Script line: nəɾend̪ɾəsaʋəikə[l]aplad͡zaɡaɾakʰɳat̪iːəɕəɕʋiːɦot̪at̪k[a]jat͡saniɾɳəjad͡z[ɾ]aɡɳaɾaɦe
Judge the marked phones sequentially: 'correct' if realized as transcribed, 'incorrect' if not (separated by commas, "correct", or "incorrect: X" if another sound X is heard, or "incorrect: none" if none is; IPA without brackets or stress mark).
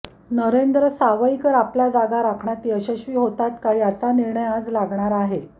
incorrect: ɾ, correct, incorrect: l